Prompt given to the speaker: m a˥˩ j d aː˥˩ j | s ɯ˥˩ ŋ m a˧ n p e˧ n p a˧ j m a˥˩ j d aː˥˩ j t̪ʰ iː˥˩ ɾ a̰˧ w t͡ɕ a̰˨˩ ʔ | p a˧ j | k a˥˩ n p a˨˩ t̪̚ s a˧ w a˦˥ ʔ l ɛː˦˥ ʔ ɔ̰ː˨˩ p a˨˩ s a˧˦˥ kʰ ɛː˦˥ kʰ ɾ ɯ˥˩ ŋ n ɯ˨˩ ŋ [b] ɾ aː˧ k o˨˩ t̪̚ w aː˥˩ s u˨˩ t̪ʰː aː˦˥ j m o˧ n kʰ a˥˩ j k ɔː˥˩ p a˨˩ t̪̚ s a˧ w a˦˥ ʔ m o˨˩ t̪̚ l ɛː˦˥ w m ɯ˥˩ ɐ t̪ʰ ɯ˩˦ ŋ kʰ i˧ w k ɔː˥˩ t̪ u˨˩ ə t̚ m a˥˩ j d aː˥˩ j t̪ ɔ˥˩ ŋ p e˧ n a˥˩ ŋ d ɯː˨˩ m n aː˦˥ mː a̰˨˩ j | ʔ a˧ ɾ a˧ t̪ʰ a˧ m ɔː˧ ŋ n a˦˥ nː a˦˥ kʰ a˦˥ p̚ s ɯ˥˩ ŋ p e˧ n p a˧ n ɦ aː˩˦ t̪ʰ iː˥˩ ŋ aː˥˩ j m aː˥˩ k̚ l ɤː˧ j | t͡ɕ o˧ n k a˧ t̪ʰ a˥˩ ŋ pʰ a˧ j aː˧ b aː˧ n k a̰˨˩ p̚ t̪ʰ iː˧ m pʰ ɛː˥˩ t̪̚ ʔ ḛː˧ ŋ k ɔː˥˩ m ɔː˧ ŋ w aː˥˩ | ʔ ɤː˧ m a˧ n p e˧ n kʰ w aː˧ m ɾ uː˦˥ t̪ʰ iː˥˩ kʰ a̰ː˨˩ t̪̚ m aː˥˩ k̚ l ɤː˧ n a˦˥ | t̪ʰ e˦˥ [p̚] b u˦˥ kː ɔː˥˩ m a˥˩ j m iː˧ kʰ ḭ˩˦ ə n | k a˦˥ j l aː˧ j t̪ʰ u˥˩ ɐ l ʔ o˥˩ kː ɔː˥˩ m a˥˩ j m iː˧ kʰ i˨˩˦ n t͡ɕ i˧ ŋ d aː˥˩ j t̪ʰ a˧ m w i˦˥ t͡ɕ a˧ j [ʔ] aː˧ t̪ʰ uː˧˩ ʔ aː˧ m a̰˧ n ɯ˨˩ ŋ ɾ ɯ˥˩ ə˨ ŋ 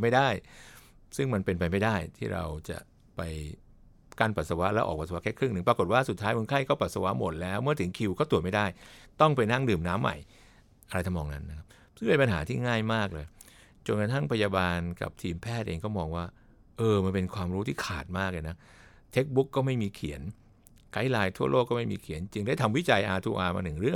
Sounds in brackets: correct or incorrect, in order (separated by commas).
incorrect, incorrect, correct